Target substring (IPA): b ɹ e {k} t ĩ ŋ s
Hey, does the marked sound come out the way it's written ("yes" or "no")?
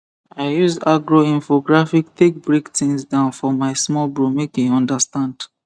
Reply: yes